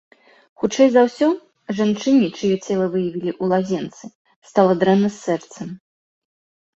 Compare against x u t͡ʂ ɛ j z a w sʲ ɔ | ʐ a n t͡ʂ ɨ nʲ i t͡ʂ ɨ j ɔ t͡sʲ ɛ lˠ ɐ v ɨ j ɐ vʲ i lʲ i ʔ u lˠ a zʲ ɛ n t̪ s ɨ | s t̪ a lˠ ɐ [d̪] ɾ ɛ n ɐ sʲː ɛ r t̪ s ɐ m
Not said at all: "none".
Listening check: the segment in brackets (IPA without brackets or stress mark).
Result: d̪